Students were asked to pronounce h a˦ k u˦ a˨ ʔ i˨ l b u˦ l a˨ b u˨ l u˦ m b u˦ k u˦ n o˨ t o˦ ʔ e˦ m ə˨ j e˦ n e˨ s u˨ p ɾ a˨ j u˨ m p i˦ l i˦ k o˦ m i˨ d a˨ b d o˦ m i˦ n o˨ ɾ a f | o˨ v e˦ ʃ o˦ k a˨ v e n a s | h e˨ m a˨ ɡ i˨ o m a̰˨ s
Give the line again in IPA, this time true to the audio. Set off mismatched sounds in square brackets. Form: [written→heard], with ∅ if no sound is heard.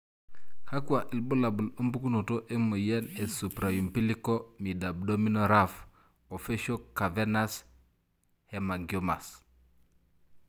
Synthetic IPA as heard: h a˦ k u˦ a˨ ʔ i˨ l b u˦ l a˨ b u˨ l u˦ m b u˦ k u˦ n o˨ t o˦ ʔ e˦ m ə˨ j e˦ n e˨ s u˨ p ɾ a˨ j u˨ m p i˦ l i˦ k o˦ m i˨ d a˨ b d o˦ m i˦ n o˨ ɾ a f | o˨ [v→f] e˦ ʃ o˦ k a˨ v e n a s | h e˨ m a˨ ɡ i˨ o m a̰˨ s

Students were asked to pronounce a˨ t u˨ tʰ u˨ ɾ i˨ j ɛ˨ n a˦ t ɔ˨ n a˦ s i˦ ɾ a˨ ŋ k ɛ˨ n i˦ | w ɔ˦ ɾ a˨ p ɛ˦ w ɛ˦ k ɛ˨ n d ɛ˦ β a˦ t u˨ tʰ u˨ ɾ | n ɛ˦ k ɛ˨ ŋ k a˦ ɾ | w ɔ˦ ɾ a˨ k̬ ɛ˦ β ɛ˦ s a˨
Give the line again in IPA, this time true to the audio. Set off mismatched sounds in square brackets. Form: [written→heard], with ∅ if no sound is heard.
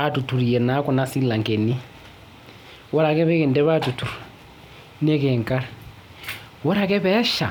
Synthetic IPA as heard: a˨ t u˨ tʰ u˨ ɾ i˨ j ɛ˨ n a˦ [t→k] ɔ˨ n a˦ s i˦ [ɾ→l] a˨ ŋ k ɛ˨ n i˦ | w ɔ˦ ɾ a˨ [p→k] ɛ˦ [w→β] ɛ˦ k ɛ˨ n d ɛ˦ β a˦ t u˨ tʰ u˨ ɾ | n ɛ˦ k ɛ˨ ŋ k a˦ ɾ | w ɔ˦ ɾ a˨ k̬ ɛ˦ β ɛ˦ [s→ʃ] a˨

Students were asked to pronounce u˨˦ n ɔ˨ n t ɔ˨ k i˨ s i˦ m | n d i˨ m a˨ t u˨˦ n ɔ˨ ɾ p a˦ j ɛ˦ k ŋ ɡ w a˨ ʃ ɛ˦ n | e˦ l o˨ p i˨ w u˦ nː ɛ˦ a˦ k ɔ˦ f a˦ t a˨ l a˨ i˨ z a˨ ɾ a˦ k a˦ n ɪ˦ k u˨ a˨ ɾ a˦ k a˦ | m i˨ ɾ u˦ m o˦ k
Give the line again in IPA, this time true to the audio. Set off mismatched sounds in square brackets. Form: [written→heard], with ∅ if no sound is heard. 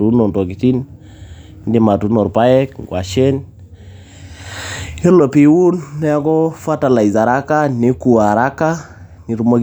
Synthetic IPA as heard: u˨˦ n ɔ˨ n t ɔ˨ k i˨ [s→t] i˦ [m→n] | n d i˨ m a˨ t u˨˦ n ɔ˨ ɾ p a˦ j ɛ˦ k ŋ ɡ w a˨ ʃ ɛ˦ n | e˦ l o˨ p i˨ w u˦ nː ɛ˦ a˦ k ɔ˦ f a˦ t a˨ l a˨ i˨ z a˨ ɾ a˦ k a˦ n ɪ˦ k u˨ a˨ ɾ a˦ k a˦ | [m→n] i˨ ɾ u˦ m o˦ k

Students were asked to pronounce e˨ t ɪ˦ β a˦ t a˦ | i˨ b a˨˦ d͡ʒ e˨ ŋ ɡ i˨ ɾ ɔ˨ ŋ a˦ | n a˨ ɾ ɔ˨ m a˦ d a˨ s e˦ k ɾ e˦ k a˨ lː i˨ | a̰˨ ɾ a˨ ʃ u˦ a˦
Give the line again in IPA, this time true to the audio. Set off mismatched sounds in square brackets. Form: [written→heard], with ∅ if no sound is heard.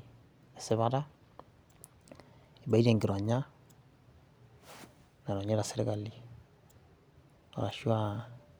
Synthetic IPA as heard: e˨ [t→s] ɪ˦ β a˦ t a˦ | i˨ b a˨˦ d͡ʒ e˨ ŋ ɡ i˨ ɾ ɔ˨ [ŋ→ɲ] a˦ | n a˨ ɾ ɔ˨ [m→ɲ] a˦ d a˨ s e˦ [k→∅] ɾ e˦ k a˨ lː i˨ | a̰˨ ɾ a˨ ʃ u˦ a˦

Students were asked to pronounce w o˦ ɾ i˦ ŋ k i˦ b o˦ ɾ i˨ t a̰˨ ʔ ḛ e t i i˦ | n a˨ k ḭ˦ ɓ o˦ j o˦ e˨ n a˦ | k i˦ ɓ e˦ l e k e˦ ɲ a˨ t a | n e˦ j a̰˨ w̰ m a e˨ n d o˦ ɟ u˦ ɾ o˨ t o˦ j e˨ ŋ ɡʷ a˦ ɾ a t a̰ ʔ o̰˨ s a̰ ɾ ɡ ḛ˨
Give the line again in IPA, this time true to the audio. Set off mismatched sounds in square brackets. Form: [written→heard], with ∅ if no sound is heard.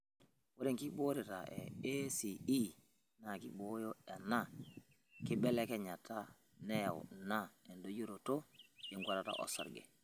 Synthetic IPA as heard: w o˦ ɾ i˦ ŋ k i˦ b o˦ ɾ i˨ t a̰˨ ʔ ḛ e [t→s] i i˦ | n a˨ k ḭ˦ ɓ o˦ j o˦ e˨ n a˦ | k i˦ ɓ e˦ l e k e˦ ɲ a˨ t a | n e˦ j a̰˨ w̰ [m→n] a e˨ n d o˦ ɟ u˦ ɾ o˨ t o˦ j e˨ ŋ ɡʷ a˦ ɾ a t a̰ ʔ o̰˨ s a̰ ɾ ɡ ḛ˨

